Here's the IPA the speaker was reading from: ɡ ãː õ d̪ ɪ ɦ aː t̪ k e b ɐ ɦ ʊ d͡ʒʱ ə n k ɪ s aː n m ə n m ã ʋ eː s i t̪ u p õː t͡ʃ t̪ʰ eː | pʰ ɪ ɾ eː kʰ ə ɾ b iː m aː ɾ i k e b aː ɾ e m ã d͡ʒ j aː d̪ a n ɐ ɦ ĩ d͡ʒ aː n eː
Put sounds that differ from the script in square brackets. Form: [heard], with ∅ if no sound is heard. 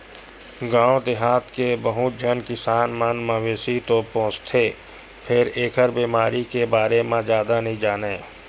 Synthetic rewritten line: ɡ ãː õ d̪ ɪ ɦ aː t̪ k e b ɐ ɦ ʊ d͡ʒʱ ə n k ɪ s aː n m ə n m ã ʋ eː s i t̪ [o] p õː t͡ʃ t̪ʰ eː | pʰ ɪ ɾ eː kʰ ə ɾ b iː m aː ɾ i k e b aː ɾ e m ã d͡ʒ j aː d̪ a n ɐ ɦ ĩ d͡ʒ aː n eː